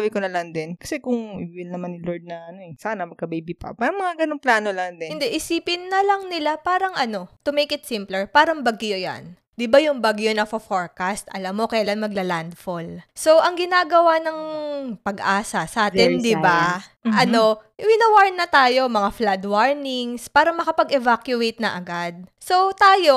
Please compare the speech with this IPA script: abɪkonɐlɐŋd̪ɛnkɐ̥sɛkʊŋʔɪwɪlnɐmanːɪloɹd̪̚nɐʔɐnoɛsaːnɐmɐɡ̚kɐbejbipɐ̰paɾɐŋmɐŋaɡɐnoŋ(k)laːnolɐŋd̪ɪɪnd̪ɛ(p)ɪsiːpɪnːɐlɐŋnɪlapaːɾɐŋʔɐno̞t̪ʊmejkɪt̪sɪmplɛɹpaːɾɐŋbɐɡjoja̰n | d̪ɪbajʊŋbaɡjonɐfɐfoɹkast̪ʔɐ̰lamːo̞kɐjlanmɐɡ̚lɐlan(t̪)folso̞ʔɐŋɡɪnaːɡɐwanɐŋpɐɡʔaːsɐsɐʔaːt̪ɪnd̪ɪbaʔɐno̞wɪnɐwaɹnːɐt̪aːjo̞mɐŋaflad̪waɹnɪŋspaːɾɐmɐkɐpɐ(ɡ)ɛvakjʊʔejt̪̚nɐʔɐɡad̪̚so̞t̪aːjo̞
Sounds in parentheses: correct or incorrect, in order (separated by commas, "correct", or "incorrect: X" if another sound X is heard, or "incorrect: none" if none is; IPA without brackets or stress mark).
incorrect: p, incorrect: ʔ, incorrect: d̪, correct